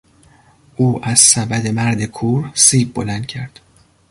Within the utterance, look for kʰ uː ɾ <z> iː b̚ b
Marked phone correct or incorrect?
incorrect